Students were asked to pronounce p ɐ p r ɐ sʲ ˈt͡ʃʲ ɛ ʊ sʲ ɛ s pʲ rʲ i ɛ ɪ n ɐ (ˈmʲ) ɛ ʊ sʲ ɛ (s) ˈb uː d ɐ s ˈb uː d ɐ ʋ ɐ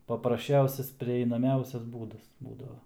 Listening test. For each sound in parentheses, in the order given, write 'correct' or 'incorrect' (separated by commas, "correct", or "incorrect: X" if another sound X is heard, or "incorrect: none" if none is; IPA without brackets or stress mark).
correct, correct